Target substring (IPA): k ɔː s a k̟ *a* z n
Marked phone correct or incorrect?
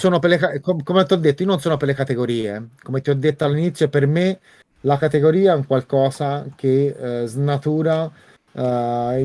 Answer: incorrect